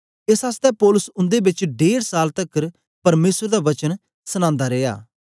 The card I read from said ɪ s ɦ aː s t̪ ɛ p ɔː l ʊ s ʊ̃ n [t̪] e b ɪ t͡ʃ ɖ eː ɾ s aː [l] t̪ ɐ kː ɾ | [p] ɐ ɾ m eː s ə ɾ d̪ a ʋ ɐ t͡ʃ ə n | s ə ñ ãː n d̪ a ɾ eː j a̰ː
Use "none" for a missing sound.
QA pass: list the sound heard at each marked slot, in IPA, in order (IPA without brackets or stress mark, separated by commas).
d̪, l, p